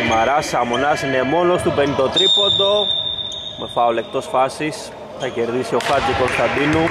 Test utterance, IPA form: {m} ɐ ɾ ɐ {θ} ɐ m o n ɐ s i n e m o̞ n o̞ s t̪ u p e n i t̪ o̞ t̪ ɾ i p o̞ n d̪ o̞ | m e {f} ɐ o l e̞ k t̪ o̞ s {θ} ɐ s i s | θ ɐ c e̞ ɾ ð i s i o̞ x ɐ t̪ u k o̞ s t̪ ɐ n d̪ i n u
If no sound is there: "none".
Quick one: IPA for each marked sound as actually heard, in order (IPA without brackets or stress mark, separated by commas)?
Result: m, s, f, f